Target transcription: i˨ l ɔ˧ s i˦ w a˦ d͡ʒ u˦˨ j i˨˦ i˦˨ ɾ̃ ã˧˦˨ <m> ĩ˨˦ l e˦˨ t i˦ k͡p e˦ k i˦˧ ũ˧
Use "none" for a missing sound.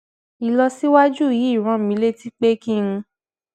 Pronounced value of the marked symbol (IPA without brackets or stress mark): m